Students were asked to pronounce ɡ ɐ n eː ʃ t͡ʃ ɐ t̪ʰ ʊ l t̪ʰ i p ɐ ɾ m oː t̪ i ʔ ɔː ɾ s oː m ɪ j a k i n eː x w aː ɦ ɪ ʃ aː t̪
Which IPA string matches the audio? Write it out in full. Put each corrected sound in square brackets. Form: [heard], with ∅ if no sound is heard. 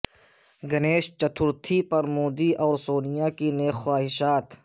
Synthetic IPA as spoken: ɡ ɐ n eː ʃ t͡ʃ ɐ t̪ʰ ʊ [ɾ] t̪ʰ i p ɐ ɾ m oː [d̪] i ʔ ɔː ɾ s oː [n] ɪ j a k i n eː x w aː ɦ ɪ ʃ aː t̪